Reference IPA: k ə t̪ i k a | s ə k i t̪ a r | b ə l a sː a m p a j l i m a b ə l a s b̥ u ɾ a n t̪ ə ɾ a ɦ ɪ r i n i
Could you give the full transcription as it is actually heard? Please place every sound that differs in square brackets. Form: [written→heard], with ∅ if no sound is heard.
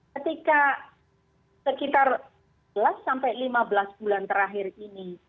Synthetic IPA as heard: k ə t̪ i k a | s ə k i t̪ a r | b ə l a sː a m p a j l i m a b ə l a s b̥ u [ɾ→l] a n t̪ ə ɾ a ɦ ɪ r i n i